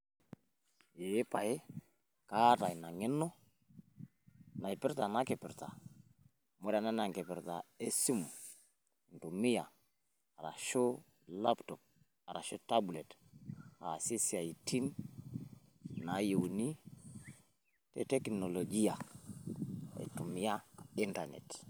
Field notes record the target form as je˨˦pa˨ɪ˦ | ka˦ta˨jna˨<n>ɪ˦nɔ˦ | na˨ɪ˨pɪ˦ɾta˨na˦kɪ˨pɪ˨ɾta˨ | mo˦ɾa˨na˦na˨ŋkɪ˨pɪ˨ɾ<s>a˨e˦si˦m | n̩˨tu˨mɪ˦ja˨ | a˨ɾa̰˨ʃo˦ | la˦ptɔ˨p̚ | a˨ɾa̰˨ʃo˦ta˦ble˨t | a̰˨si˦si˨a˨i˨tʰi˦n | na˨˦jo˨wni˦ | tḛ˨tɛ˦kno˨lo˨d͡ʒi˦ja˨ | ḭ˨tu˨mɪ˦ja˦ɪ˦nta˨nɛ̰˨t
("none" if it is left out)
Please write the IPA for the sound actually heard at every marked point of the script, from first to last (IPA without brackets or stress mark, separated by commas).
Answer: ŋ, t